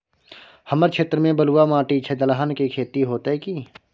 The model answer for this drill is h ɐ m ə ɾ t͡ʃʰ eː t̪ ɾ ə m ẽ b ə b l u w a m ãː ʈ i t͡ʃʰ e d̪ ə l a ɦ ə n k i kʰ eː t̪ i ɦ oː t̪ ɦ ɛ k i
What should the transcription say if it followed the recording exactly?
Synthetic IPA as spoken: h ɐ m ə ɾ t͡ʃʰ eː t̪ ɾ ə m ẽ b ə l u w a m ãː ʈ i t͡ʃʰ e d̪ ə l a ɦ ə n k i kʰ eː t̪ i ɦ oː t̪ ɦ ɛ k i

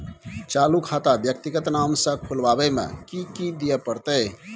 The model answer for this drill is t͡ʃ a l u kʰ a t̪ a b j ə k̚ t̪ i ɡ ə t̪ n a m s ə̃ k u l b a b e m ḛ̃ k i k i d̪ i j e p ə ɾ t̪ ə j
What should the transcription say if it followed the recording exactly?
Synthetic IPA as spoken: t͡ʃ a l u kʰ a t̪ a b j ə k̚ t̪ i ɡ ə t̪ n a m s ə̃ kʰ u l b a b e m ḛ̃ k i k i d̪ i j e p ə ɾ t̪ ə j

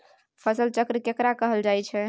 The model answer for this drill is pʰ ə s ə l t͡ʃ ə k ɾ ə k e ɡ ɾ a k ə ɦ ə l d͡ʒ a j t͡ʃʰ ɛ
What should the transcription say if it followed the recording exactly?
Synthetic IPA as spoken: pʰ ə s ə l t͡ʃ ə k ɾ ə k e k ɾ a k ə ɦ ə l d͡ʒ a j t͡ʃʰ ɛ

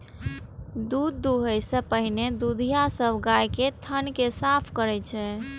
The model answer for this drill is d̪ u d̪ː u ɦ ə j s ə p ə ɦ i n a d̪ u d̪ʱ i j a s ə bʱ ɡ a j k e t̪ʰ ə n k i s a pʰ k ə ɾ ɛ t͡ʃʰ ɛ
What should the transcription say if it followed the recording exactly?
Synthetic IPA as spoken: d̪ u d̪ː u ɦ ə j s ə p ə ɦ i n e d̪ u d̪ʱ i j a s ə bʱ ɡ a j k e t̪ʰ ə n k e s a pʰ k ə ɾ ɛ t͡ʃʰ ɛ

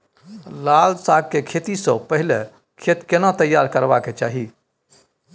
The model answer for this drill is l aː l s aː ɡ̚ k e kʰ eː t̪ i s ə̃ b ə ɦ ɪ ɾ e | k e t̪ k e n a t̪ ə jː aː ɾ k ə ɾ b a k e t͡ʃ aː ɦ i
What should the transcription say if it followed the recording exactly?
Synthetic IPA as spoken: l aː l s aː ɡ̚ k e kʰ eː t̪ i s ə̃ p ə ɦ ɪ l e | kʰ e t̪ k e n a t̪ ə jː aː ɾ k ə ɾ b a k e t͡ʃ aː ɦ i

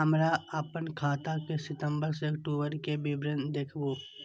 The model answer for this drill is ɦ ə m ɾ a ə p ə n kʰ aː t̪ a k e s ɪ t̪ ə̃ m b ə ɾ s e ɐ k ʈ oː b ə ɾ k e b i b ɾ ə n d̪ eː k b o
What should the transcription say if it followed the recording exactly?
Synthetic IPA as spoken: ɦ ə m ɾ a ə p ə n kʰ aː t̪ a k e s ɪ t̪ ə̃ m b ə ɾ s e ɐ k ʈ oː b ə ɾ k e b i b ɾ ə n d̪ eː kʰ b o

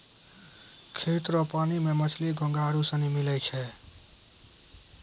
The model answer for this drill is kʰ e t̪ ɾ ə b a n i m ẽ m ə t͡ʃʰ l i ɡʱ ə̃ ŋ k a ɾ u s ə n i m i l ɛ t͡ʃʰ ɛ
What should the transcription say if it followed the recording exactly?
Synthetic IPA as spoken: kʰ e t̪ ɾ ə p a n i m e m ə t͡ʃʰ l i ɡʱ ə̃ ŋ ɡ a ɾ u s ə n i m i l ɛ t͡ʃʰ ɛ

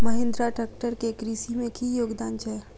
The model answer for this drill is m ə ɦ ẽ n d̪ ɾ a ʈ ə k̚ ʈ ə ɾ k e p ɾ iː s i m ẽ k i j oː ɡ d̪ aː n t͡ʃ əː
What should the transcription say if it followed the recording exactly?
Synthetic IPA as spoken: m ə ɦ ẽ n d̪ ɾ a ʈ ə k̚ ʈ ə ɾ k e k ɾ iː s i m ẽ k i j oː ɡ d̪ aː n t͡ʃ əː

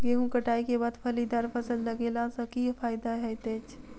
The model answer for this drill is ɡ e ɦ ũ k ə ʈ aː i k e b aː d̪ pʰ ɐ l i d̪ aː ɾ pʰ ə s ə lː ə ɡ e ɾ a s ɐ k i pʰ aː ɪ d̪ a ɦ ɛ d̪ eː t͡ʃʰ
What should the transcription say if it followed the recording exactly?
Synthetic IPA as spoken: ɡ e ɦ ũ k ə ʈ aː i k e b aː d̪ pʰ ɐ l i d̪ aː ɾ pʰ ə s ə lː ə ɡ e l a s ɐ k i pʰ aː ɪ d̪ a ɦ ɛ t̪ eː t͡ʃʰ

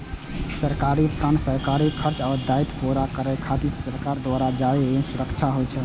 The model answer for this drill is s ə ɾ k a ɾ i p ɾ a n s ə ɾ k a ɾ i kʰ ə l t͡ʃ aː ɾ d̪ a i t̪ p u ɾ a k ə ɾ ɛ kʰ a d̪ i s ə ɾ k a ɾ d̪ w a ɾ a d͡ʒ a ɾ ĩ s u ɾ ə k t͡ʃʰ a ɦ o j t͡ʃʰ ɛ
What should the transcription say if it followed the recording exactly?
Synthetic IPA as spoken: s ə ɾ k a ɾ i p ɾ a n s ə ɾ k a ɾ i kʰ ə ɾ t͡ʃ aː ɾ d̪ a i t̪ p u ɾ a k ə ɾ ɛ kʰ a t̪ i s ə ɾ k a ɾ d̪ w a ɾ a d͡ʒ a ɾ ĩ s u ɾ ə k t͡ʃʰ a ɦ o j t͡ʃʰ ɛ

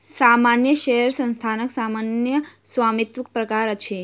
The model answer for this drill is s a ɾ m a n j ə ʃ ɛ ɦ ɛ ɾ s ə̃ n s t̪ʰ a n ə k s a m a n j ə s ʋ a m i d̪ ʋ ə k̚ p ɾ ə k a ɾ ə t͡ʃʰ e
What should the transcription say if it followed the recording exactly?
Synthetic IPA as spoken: s a m a n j ə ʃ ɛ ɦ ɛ ɾ s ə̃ n s t̪ʰ a n ə k s a m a n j ə s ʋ a m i t̪ ʋ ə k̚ p ɾ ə k a ɾ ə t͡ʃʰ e

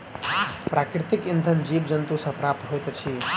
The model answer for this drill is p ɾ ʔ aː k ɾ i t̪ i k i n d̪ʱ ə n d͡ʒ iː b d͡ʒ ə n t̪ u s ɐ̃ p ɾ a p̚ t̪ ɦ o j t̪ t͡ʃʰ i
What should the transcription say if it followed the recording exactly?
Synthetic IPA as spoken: p ɾ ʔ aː k ɾ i t̪ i k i n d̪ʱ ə n d͡ʒ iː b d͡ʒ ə n t̪ u s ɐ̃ p ɾ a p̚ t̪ ɦ o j t̪ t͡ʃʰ i

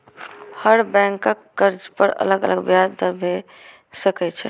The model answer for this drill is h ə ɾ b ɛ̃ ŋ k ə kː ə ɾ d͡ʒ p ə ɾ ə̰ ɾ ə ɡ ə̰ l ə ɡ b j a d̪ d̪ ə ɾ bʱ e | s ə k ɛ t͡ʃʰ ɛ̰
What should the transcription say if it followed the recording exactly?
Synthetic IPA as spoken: h ə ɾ b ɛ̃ ŋ k ə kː ə ɾ d͡ʒ p ə ɾ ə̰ l ə ɡ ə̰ l ə ɡ b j a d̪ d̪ ə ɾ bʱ e | s ə k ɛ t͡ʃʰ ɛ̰

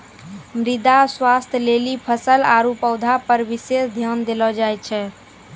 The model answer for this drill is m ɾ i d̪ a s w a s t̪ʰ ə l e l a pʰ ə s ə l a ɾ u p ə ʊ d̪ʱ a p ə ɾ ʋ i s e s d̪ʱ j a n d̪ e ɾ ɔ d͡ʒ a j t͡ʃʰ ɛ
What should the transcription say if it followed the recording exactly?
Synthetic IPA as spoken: m ɾ i d̪ a s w a s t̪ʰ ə l e l i pʰ ə s ə l a ɾ u p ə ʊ d̪ʱ a p ə ɾ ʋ i s e s d̪ʱ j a n d̪ e l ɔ d͡ʒ a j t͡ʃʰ ɛ

